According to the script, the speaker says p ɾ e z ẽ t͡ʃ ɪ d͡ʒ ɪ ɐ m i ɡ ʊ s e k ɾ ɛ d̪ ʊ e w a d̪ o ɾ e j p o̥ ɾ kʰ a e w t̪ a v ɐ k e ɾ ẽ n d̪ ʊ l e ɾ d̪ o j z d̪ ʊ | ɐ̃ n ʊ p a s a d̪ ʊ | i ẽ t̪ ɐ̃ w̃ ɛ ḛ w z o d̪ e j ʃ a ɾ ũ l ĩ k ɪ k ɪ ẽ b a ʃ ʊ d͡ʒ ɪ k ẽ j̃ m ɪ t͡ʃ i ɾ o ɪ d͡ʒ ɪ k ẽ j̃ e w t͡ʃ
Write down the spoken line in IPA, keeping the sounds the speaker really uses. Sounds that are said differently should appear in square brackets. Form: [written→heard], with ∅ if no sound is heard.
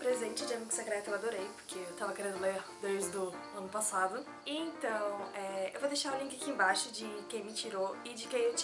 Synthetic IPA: p ɾ e z ẽ t͡ʃ ɪ d͡ʒ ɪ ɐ m i ɡ ʊ s e k ɾ ɛ [d̪→t̪] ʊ e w a d̪ o ɾ e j p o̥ ɾ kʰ [a→e] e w t̪ a v ɐ k e ɾ ẽ n d̪ ʊ l e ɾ d̪ o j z d̪ ʊ | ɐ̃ n ʊ p a s a d̪ ʊ | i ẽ t̪ ɐ̃ w̃ ɛ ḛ w [z→v] o d̪ e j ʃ a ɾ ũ l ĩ k ɪ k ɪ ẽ b a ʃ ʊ d͡ʒ ɪ k ẽ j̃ m ɪ t͡ʃ i ɾ o ɪ d͡ʒ ɪ k ẽ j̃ e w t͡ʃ